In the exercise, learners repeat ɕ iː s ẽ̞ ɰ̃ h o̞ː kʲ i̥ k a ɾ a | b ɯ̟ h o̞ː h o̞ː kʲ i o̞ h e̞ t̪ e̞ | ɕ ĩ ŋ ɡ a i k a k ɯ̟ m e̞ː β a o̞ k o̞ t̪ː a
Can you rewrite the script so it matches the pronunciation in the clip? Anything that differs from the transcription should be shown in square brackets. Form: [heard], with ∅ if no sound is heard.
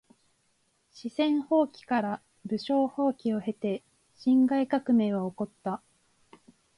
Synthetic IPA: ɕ [i] s ẽ̞ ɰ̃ h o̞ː kʲ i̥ k a ɾ a | b ɯ̟ [ɕ] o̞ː h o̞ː kʲ i o̞ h e̞ t̪ e̞ | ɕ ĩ ŋ ɡ a i k a k ɯ̟ m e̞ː β a o̞ k o̞ t̪ː a